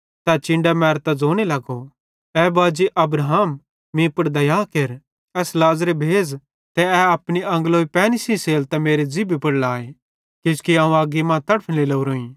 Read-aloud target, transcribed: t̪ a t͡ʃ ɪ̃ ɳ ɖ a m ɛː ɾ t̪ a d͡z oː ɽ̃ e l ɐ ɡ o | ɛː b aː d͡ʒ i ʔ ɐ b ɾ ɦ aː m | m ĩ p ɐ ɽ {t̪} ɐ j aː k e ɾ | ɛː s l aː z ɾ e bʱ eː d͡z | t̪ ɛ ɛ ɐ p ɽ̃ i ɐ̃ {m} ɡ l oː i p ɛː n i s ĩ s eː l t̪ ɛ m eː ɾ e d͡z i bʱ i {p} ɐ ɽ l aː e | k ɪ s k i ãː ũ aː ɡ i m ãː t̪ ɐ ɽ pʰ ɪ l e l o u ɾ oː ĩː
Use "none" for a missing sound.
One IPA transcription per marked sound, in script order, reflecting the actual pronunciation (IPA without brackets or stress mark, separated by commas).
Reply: d̪, ŋ, p